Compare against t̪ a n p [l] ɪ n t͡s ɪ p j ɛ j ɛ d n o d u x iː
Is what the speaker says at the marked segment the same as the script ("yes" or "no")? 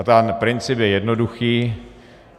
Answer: no